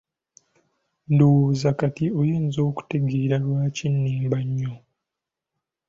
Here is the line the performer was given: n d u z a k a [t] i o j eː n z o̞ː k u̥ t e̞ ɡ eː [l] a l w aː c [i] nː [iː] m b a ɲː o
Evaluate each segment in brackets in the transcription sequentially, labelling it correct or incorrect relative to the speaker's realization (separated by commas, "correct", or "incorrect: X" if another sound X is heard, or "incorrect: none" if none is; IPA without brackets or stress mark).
correct, incorrect: ɾ, correct, correct